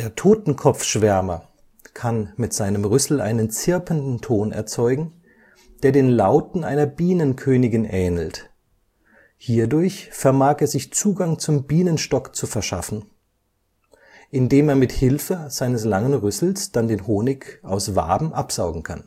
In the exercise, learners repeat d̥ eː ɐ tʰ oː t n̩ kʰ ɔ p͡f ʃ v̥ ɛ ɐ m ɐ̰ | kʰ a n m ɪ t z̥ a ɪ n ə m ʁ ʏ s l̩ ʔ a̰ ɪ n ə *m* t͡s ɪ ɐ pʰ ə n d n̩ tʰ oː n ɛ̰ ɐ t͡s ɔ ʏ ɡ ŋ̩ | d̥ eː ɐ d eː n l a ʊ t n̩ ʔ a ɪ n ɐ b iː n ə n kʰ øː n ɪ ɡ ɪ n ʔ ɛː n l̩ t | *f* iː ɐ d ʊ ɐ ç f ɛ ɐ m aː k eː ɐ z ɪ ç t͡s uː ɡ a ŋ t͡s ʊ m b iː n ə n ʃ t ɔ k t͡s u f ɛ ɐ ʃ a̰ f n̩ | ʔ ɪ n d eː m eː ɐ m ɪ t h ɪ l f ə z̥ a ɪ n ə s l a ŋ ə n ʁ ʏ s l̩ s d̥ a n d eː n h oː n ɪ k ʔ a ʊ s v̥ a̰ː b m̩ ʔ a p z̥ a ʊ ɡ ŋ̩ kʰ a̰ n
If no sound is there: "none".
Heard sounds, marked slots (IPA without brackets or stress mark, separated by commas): n, h